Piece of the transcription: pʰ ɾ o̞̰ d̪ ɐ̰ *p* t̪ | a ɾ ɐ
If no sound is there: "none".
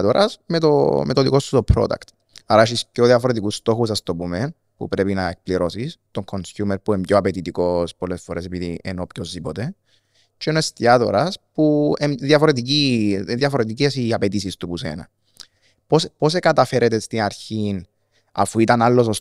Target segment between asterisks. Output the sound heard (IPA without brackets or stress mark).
k